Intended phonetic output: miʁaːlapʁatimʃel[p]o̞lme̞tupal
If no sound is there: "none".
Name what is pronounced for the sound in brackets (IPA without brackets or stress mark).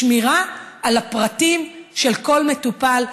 k